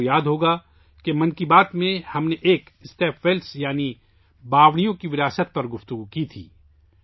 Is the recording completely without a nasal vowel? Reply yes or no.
no